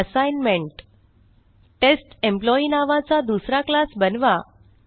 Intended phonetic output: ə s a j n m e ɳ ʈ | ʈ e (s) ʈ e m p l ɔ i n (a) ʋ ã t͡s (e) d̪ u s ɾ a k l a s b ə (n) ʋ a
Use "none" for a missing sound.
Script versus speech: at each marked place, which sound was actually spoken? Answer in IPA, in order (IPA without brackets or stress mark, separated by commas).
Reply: s, a, a, n